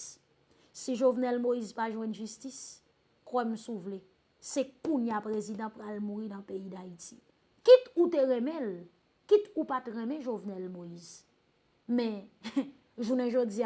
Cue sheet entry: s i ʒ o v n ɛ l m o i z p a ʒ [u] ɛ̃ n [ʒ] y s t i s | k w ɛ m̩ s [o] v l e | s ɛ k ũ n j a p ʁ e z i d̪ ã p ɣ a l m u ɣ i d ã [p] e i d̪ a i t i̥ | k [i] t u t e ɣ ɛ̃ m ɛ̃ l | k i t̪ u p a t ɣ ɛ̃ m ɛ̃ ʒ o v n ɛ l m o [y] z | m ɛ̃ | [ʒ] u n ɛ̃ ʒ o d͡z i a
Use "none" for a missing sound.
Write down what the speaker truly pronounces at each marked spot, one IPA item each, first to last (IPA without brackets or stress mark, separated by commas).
w, ʒ, u, p, i, i, ʒ